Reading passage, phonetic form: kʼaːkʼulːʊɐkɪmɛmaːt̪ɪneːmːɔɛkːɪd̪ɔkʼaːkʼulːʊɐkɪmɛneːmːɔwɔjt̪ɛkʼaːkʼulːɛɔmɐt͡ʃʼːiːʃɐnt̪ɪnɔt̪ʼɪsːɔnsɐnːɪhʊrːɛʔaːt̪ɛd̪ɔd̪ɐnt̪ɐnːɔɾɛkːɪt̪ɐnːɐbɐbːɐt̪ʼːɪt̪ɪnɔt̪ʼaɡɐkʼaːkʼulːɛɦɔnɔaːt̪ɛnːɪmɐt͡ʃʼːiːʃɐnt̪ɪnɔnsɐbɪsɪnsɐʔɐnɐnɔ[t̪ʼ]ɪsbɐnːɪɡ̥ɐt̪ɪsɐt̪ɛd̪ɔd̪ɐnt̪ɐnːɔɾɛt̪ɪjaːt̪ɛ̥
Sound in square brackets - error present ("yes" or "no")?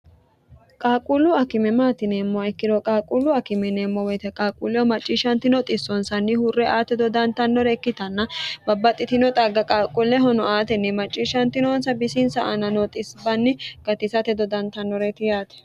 no